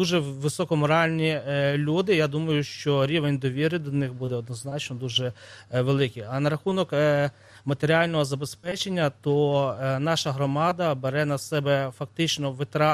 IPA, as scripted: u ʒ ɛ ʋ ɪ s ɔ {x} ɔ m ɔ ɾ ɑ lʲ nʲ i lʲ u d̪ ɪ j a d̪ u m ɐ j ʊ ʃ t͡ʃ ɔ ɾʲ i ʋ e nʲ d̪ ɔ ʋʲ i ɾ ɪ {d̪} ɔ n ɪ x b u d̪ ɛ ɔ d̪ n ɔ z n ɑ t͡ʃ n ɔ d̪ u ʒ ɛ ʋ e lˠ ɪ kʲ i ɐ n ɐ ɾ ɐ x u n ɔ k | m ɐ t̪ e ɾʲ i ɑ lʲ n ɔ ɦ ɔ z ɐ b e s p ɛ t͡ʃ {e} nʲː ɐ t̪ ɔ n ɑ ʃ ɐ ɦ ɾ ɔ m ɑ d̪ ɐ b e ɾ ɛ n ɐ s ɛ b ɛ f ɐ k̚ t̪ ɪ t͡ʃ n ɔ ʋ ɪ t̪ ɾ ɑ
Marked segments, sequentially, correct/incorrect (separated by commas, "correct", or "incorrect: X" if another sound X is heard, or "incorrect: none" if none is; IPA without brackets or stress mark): incorrect: k, correct, correct